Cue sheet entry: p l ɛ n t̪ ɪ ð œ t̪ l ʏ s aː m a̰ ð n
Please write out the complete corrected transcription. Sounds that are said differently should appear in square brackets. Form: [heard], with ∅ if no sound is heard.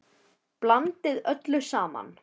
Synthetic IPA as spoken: p l [a] n t̪ ɪ ð œ t̪ l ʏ s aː m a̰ [∅] n